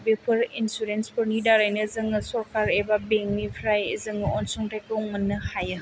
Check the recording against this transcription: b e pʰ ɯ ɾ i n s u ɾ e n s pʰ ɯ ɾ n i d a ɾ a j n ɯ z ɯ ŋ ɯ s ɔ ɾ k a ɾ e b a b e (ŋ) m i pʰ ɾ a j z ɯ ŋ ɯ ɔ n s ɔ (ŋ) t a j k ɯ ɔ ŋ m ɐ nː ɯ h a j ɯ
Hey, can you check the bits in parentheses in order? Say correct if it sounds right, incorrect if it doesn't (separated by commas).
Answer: correct, correct